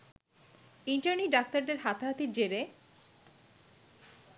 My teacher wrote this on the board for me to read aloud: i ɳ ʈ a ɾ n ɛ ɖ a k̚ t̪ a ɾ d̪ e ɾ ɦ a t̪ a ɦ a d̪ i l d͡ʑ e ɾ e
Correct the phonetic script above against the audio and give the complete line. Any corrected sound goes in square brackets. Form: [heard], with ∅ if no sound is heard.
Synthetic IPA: i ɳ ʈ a ɾ n [i] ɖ a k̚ t̪ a ɾ d̪ e ɾ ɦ a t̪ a ɦ a [t̪] i [ɾ] d͡ʑ e ɾ e